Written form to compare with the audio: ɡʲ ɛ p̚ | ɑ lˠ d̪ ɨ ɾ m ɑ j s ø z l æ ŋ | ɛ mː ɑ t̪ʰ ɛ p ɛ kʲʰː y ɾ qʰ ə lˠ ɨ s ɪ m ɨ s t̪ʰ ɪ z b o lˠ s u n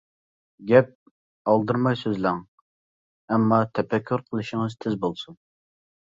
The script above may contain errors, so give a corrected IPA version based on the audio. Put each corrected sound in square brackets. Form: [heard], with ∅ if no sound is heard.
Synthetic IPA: ɡʲ ɛ p̚ | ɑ lˠ d̪ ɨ ɾ m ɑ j s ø z l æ ŋ | ɛ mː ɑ t̪ʰ ɛ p ɛ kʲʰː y ɾ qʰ ə lˠ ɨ [ʃ] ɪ [ŋ] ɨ [z] t̪ʰ ɪ z b o lˠ s u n